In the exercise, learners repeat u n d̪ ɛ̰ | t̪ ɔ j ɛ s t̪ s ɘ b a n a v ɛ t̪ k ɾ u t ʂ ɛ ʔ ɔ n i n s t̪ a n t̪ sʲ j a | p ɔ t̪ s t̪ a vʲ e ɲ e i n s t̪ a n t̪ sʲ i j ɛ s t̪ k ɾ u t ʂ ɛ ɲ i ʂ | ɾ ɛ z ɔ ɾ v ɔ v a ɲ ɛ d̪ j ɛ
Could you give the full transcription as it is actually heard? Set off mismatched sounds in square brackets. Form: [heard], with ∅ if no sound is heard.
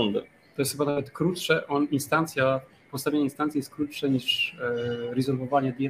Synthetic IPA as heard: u n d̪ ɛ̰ | t̪ ɔ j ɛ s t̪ [x] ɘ b a n a v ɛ t̪ k ɾ u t ʂ ɛ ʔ ɔ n i n s t̪ a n t̪ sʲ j a | p ɔ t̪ s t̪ a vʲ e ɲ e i n s t̪ a n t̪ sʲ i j ɛ s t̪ k ɾ u t ʂ ɛ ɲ i ʂ | ɾ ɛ z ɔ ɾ v ɔ v a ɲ ɛ d̪ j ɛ